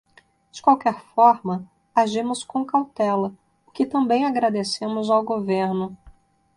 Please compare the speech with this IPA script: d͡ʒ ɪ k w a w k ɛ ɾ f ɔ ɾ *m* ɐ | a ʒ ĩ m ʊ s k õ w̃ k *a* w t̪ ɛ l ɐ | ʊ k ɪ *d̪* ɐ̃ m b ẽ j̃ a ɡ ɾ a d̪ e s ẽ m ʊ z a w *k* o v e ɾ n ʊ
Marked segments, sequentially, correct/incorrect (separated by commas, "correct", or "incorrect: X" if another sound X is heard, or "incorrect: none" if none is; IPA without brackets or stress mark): correct, correct, incorrect: t̪, incorrect: ɡ